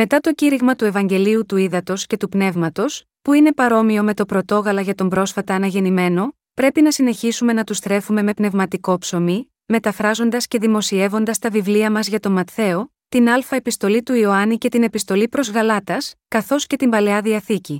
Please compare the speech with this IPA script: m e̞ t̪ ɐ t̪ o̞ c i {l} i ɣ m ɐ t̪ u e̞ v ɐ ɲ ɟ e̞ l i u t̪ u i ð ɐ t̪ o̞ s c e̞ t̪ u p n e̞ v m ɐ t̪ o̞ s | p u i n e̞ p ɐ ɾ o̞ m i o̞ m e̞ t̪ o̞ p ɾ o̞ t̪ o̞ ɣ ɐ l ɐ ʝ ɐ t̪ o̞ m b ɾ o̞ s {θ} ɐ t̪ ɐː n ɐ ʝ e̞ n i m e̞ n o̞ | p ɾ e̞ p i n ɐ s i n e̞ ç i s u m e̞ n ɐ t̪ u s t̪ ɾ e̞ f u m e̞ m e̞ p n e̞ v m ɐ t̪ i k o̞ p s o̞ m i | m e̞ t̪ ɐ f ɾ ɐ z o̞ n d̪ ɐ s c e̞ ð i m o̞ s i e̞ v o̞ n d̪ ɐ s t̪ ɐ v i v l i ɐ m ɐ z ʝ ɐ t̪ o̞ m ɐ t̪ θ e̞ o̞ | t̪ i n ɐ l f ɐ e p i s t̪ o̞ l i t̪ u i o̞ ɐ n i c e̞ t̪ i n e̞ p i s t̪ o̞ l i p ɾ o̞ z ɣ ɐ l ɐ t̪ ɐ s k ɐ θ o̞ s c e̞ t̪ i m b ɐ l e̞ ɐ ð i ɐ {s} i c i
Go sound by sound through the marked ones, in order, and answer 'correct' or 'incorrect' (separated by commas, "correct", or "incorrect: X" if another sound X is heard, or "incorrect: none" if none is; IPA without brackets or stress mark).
incorrect: ɾ, incorrect: f, incorrect: θ